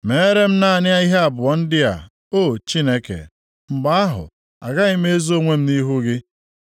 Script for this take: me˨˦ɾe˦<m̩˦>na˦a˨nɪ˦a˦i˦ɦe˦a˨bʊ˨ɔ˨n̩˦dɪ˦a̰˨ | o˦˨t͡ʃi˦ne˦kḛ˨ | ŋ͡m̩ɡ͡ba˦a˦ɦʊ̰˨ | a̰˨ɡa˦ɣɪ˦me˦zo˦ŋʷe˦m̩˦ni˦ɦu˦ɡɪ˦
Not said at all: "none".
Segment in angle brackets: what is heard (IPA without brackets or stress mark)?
m̩˦